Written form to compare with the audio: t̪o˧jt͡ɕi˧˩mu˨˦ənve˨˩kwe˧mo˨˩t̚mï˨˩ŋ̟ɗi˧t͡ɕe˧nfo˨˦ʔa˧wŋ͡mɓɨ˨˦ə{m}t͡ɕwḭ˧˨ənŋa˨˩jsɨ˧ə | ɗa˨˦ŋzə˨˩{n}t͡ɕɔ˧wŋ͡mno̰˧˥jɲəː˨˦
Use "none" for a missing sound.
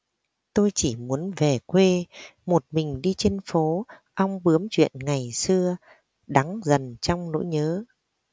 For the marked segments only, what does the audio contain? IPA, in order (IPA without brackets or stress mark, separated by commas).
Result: m, n